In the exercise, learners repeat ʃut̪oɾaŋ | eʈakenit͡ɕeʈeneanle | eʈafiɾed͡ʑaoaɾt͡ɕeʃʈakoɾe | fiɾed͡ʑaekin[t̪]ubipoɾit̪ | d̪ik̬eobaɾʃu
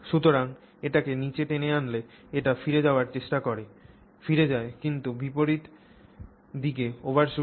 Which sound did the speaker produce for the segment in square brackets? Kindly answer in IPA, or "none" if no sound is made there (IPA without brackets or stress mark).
t̪